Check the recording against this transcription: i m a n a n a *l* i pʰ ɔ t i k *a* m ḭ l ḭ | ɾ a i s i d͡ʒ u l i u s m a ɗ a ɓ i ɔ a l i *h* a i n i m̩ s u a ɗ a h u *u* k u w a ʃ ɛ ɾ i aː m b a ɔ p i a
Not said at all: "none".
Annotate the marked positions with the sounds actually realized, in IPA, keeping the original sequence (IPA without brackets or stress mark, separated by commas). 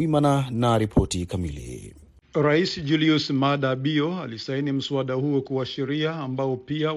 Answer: ɾ, a, s, ɔ